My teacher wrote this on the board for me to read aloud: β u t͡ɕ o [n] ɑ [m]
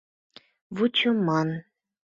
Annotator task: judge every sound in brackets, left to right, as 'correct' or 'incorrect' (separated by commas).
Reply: incorrect, incorrect